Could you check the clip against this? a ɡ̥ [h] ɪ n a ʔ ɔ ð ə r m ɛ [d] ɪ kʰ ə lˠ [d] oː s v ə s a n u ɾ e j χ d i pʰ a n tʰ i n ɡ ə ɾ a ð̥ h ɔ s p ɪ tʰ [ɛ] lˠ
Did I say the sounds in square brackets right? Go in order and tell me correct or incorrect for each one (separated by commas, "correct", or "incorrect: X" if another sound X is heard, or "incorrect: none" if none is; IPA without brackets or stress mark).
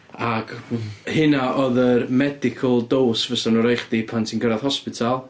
correct, correct, correct, incorrect: a